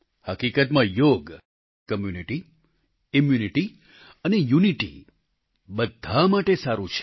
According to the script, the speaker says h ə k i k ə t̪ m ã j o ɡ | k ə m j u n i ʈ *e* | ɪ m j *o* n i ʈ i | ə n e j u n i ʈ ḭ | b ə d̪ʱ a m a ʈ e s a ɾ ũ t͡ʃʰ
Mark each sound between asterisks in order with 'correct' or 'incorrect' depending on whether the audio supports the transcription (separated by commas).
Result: incorrect, incorrect